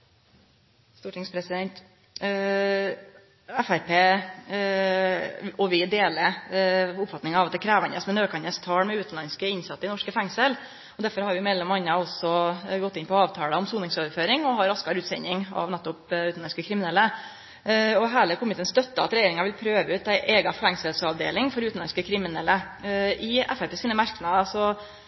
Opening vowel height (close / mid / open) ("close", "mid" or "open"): close